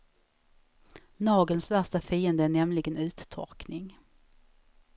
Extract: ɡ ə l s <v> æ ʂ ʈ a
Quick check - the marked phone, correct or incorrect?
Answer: correct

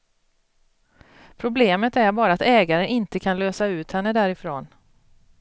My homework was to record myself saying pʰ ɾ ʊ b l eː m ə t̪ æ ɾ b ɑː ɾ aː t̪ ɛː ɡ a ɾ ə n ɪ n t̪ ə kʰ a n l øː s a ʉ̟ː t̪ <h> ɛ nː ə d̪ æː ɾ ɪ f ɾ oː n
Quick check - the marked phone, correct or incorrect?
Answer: correct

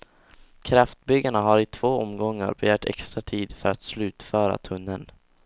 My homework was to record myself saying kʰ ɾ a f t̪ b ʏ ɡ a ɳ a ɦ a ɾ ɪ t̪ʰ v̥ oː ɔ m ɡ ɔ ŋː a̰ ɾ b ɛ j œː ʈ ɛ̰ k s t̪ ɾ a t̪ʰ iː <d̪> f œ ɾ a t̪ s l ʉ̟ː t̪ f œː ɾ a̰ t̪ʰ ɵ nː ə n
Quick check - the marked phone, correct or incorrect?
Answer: correct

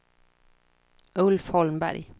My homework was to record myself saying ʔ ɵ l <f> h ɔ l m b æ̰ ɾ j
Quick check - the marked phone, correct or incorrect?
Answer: correct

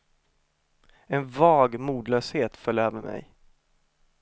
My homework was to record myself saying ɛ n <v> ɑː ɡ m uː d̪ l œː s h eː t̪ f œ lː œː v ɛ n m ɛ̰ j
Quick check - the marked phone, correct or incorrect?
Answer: correct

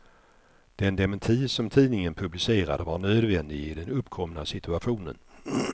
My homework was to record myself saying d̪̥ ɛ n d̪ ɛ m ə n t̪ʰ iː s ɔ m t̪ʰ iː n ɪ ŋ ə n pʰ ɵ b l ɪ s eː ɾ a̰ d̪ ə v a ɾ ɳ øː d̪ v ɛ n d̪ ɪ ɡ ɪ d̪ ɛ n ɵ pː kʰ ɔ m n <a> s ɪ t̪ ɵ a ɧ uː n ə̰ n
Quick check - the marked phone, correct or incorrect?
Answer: correct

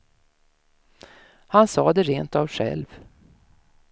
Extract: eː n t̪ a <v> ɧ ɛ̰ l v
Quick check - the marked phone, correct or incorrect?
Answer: correct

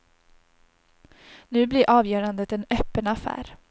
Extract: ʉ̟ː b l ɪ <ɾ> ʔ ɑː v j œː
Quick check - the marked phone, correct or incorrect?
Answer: correct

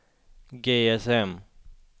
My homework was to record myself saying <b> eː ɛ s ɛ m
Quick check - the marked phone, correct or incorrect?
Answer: incorrect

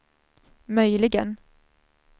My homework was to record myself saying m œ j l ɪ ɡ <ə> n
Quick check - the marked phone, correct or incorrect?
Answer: correct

